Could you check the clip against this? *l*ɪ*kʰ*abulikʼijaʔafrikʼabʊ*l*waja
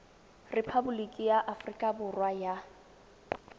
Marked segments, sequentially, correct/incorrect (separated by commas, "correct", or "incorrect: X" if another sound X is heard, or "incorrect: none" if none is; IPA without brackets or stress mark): incorrect: r, incorrect: pʰ, incorrect: r